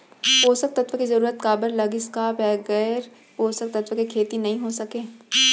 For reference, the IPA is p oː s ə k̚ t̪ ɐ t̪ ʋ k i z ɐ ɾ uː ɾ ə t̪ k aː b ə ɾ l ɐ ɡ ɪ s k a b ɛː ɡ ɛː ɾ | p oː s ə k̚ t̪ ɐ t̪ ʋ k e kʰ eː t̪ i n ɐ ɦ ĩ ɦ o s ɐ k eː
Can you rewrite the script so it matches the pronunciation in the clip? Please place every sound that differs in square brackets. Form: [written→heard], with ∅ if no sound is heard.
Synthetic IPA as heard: p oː s ə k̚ t̪ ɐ t̪ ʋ k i z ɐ ɾ uː ɾ ə t̪ k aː b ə ɾ l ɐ ɡ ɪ s k a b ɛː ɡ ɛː ɾ | p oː s ə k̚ t̪ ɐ t̪ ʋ k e kʰ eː t̪ i n ɐ ɦ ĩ ɦ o s ɐ k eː